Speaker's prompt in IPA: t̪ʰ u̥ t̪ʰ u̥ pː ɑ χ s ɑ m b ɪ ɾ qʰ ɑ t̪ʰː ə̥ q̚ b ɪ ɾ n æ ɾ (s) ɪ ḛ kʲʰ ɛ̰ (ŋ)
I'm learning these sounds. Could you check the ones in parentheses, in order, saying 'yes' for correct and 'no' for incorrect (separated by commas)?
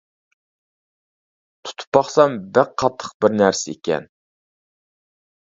yes, no